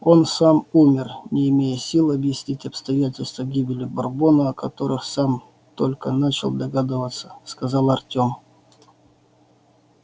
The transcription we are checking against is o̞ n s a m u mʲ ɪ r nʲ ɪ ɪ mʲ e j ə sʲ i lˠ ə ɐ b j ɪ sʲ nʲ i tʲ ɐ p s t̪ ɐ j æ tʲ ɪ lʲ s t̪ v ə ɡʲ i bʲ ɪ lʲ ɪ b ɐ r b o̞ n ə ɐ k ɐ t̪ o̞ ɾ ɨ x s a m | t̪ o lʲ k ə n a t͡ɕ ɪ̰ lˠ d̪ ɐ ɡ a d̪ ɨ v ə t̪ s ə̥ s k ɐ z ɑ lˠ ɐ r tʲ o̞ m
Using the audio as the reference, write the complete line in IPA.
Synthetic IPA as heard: o̞ n s a m u mʲ ɪ r nʲ ɪ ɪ mʲ e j ə sʲ i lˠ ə ɐ b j ɪ sʲ nʲ i tʲ ɐ p s t̪ ɐ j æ tʲ ɪ lʲ s t̪ v ə ɡʲ i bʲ ɪ lʲ ɪ b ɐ r b o̞ n ə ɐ k ɐ t̪ o̞ ɾ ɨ x s a m | t̪ o lʲ k ə n a t͡ɕ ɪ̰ lˠ d̪ ɐ ɡ a d̪ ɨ v ə t̪ s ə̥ s k ɐ z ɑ lˠ ɐ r tʲ o̞ m

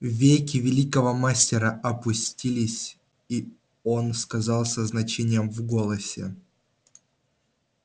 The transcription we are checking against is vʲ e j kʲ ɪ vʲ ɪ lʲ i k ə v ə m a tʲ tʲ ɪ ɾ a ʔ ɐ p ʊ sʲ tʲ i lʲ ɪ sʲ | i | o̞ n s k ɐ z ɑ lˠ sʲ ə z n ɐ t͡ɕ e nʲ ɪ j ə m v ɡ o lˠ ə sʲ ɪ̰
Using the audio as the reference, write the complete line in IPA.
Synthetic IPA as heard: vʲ e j kʲ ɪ vʲ ɪ lʲ i k ə v ə m a sʲ tʲ ɪ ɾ ə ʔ ɐ p ʊ sʲ tʲ i lʲ ɪ sʲ | i | o̞ n s k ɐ z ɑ lˠ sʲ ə z n ɐ t͡ɕ e nʲ ɪ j ə m v ɡ o lˠ ə sʲ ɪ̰

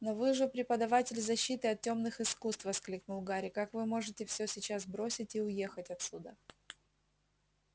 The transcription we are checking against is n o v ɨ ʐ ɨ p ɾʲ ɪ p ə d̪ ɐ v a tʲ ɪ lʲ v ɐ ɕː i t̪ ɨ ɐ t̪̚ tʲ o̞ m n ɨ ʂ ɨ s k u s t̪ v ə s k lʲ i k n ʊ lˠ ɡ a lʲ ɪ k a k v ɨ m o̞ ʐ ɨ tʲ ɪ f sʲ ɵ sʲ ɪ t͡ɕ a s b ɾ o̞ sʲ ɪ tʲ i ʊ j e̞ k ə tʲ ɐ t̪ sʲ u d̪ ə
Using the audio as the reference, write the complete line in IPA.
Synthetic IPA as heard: n o v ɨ ʐ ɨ p ɾʲ ɪ p ə d̪ ɐ v a tʲ ɪ lʲ z ɐ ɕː i t̪ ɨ ɐ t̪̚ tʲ o̞ m n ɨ x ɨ s k u s t̪ v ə s k lʲ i k n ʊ lˠ ɡ a ɾʲ ɪ k a k v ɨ m o̞ ʐ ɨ tʲ ɪ f sʲ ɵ sʲ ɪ t͡ɕ a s b ɾ o̞ sʲ ɪ tʲ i ʊ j e̞ x ə tʲ ɐ t̪ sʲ u d̪ ə

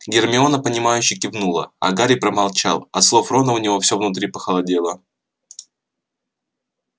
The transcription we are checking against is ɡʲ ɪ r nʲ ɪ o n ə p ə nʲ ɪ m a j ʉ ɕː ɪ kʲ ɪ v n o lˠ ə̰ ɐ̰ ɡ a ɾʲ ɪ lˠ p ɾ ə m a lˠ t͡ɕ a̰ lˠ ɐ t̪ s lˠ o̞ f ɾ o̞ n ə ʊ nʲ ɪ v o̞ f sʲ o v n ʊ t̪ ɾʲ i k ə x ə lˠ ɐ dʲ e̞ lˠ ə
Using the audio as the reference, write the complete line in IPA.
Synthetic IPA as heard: ɡʲ ɪ r mʲ ɪ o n ə p ə nʲ ɪ m a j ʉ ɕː ɪ kʲ ɪ v n u lˠ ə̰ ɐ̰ ɡ a ɾʲ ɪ p ɾ ə m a lˠ t͡ɕ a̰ lˠ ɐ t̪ s lˠ o̞ f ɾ o̞ n ə ʊ nʲ ɪ v o̞ f sʲ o v n ʊ t̪ ɾʲ i p ə x ə lˠ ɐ dʲ e̞ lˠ ə

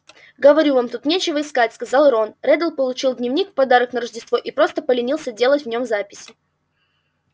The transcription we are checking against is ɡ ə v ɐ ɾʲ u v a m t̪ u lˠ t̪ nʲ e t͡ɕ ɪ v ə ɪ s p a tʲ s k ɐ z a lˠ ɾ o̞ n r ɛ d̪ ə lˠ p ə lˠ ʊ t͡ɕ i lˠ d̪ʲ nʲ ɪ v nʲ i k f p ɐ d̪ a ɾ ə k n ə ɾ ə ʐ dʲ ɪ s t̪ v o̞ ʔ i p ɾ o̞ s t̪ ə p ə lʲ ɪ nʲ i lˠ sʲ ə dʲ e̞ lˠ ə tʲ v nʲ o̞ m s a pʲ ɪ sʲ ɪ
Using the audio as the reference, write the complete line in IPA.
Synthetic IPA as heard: ɡ ə v ɐ ɾʲ u v a m t̪ u t̪ nʲ e t͡ɕ ɪ v ə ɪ s k a tʲ s k ɐ z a lˠ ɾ o̞ n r ɛ d̪ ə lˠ p ə lˠ ʊ t͡ɕ i lˠ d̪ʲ nʲ ɪ v nʲ i k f p ɐ d̪ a ɾ ə k n ə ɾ ə ʐ dʲ ɪ s t̪ v o̞ ʔ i p ɾ o̞ s t̪ ə p ə lʲ ɪ nʲ i lˠ sʲ ə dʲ e̞ lˠ ə tʲ v nʲ o̞ m z a pʲ ɪ sʲ ɪ

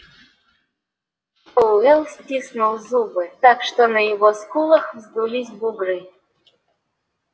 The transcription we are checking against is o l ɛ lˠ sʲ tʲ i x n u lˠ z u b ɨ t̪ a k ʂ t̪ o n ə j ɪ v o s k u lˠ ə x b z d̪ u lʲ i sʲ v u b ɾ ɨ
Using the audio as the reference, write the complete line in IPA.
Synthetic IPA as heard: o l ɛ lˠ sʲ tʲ i s n u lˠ z u b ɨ t̪ a k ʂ t̪ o n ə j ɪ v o s k u lˠ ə x v z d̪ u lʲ i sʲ b u b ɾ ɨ

